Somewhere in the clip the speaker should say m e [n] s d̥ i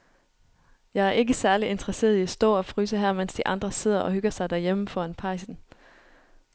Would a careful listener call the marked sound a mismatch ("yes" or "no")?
no